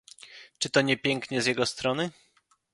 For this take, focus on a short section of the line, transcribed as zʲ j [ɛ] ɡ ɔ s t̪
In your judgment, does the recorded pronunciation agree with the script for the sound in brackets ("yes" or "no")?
yes